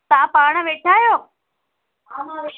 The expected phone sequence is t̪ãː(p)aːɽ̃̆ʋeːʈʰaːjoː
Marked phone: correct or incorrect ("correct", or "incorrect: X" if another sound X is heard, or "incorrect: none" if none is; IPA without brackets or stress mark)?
correct